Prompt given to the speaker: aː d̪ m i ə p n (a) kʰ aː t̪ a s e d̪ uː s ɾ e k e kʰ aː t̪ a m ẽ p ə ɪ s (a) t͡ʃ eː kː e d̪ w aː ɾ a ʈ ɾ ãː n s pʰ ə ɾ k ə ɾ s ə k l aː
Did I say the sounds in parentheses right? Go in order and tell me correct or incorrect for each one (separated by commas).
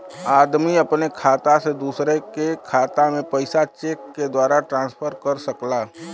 incorrect, correct